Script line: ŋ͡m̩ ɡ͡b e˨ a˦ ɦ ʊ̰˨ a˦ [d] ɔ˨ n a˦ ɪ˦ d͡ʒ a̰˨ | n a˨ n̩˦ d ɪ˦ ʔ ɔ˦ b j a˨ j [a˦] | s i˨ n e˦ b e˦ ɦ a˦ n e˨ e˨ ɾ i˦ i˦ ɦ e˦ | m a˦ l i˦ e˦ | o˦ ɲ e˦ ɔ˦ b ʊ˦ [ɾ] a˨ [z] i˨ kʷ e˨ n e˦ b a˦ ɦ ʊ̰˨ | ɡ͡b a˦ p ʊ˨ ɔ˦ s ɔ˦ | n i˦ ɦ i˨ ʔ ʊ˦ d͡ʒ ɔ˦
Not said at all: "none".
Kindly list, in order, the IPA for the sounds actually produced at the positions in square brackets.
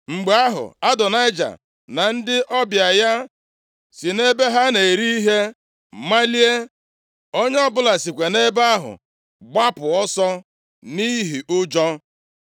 d, a˦, l, s

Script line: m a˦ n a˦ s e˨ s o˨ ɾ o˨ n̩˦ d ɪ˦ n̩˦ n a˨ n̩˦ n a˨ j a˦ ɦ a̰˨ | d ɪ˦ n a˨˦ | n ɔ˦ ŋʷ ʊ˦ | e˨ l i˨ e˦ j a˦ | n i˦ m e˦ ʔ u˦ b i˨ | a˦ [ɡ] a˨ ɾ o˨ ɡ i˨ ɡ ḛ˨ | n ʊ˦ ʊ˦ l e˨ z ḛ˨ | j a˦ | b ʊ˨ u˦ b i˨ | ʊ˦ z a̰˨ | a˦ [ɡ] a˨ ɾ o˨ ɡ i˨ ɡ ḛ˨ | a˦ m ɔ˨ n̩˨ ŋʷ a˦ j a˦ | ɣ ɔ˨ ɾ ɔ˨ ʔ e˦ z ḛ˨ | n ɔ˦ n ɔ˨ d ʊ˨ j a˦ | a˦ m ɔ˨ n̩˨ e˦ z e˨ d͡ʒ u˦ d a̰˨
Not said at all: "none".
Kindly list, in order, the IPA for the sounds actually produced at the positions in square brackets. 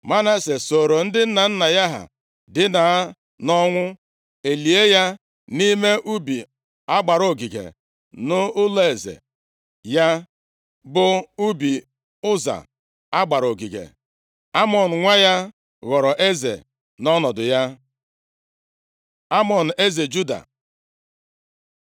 ɡ͡b, ɡ͡b

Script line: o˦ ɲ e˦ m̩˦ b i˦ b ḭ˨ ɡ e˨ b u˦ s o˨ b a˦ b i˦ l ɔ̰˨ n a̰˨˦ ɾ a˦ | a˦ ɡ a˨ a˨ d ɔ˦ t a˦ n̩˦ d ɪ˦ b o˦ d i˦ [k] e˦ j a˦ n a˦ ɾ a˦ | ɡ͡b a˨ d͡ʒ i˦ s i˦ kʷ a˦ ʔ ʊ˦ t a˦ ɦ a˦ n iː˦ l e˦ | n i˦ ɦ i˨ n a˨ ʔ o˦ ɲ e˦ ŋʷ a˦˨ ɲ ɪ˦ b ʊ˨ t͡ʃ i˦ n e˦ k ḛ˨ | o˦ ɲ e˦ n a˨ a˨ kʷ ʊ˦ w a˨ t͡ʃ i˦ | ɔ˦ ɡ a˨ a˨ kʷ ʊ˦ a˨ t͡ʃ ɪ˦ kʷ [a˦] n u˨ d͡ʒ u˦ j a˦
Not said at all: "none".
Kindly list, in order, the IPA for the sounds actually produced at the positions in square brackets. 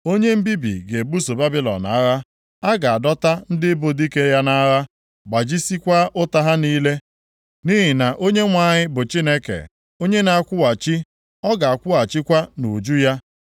k, a˦

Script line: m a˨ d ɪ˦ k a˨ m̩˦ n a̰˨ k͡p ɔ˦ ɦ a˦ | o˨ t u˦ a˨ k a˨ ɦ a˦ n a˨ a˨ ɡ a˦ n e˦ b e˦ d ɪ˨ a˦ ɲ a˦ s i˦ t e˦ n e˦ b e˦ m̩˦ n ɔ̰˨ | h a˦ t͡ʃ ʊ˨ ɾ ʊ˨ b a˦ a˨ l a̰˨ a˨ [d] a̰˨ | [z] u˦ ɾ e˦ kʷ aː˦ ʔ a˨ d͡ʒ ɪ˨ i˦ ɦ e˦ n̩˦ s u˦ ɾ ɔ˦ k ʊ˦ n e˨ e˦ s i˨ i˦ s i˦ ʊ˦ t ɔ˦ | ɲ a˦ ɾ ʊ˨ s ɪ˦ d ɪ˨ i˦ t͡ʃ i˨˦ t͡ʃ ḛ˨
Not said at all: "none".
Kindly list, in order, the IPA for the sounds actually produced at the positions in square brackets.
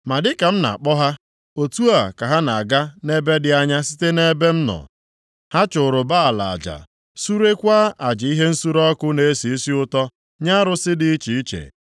d͡ʒ, s

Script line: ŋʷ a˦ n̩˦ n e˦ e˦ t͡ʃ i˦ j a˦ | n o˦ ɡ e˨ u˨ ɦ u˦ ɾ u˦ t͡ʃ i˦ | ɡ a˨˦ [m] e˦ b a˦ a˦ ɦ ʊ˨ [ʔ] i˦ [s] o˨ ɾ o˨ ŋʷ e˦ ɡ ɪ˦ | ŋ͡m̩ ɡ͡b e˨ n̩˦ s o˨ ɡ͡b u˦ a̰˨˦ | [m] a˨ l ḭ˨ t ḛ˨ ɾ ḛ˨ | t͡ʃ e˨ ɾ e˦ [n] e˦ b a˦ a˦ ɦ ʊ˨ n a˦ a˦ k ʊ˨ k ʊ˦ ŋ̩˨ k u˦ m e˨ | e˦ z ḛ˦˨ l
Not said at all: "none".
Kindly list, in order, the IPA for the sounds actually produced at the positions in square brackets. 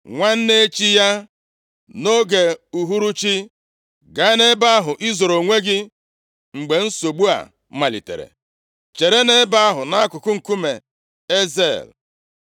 n, ʔ, z, m, n

